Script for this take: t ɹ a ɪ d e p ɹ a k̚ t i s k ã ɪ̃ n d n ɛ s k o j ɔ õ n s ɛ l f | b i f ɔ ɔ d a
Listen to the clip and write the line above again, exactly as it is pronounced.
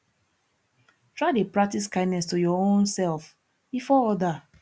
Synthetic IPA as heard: t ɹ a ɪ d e p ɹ a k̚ t i s k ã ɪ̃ n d n ɛ s t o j ɔ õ n s ɛ l f | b i f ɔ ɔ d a

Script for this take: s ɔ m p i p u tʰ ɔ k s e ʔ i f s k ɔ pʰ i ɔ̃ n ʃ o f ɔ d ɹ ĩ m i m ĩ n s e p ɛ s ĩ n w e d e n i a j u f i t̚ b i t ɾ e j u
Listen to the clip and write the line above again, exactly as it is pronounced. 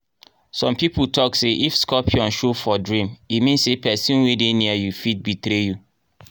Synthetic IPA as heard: s ɔ̃ m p i p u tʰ ɔ k s e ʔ i f s k ɔ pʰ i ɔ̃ n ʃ o f ɔ d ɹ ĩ m i m ĩ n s e p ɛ s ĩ n w e d e n i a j u f i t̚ b i t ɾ e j u

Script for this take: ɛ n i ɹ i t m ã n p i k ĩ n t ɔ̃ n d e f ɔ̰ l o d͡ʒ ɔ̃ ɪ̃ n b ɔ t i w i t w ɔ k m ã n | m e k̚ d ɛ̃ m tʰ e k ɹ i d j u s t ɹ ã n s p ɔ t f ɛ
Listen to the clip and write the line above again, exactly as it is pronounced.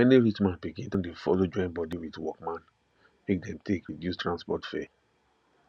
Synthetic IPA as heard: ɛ n i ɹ i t m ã n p i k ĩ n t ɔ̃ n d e f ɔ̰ l o d͡ʒ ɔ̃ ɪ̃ n b ɔ d i w i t w ɔ k m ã n | m e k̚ d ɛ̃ m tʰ e k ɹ i d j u s t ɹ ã n s p ɔ t f ɛ

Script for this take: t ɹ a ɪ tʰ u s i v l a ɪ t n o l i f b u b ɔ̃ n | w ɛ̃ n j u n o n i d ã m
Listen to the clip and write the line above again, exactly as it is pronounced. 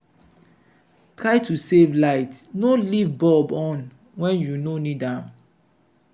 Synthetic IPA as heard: t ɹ a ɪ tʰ u s e v l a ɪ t n o l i v b ɔ b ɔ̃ n | w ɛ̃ n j u n o n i d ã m

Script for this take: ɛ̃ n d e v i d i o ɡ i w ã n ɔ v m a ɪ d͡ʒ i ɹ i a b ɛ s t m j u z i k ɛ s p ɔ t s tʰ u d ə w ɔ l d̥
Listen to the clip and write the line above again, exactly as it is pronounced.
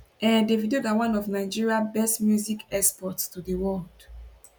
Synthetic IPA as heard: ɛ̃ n d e v i d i o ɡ a w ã n ɔ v n a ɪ d͡ʒ i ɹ i a b ɛ s t m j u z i k ɛ s p ɔ t s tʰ u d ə w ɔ l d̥

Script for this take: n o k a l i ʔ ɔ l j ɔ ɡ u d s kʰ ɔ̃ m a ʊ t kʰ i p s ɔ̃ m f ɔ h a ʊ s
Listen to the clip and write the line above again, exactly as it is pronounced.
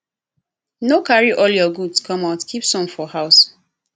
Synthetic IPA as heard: n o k a ɹ i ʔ ɔ l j ɔ ɡ u d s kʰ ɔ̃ m a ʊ t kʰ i p s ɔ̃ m f ɔ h a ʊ s

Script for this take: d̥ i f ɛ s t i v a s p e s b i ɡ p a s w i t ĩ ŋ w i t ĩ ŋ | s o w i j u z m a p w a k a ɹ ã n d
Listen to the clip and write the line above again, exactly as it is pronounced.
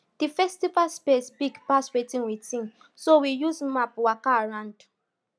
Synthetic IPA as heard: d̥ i f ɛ s t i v a s p e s b i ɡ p a s w e t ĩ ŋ w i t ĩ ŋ | s o w i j u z m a p w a k a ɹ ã n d

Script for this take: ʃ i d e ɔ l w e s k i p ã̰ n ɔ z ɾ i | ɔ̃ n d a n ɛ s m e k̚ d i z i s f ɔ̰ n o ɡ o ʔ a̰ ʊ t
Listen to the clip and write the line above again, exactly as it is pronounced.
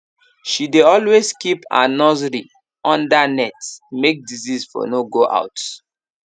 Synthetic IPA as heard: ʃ i d e ɔ l w e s k i p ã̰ n ɔ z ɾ i | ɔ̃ n d a n ɛ t m e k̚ d i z i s f ɔ̰ n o ɡ o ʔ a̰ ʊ t

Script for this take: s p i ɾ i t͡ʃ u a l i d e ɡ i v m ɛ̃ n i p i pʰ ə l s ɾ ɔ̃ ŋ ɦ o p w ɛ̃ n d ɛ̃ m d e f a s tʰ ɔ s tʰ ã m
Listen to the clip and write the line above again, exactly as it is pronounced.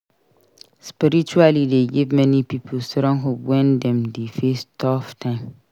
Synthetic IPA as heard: s p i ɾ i t͡ʃ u a l i d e ɡ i v m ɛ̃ n i p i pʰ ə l s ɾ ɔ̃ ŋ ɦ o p w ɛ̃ n d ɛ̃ m d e f e s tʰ ɔ f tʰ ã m

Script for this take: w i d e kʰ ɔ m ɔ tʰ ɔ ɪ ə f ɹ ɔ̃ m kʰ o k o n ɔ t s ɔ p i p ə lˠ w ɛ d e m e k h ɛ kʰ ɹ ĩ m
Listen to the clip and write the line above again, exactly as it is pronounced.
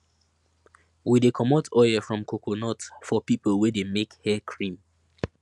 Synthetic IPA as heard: w i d e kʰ ɔ m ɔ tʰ ɔ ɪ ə f ɹ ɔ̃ m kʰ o k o n ɔ t f ɔ p i p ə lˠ w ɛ d e m e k h ɛ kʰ ɹ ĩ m

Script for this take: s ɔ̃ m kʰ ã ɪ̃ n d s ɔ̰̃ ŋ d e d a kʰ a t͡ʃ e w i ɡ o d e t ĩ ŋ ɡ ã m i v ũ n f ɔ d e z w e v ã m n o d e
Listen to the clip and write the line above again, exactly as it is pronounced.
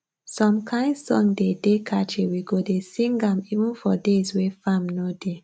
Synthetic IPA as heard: s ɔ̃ m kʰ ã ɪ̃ n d s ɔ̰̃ ŋ d e d e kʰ a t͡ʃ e w i ɡ o d e s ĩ ŋ ɡ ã m i v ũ n f ɔ d e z w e f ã m n o d e

